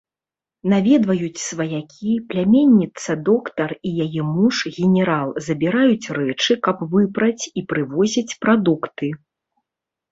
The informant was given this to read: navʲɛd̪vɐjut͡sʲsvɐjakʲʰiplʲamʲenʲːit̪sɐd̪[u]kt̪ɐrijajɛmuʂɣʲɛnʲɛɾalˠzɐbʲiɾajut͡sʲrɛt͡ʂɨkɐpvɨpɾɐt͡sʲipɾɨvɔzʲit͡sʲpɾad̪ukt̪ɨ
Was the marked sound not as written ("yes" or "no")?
yes